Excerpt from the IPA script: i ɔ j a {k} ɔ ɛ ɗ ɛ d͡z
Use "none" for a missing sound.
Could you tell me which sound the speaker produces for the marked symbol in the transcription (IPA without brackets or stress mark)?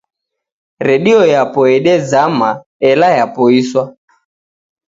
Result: p